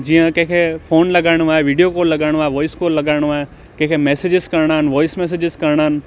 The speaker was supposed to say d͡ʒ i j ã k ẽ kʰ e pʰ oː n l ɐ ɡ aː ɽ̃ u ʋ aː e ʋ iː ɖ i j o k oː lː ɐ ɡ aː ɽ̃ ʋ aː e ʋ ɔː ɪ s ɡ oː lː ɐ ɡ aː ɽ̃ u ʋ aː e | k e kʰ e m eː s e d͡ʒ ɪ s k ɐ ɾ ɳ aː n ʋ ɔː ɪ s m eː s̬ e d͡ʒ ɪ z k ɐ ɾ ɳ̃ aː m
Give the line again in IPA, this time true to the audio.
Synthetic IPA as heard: d͡ʒ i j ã k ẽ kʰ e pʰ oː n l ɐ ɡ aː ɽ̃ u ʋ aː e ʋ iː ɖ i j o k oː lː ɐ ɡ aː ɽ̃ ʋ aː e ʋ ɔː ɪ s k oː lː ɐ ɡ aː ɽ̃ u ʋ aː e | k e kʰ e m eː s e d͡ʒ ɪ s k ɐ ɾ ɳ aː n ʋ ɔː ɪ s m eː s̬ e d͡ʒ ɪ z k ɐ ɾ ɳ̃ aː n